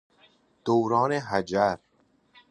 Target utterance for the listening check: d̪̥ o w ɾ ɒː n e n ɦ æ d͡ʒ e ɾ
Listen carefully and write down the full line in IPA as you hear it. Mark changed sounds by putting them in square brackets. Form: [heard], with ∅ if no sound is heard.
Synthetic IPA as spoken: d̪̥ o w ɾ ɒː n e [∅] ɦ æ d͡ʒ [æ] ɾ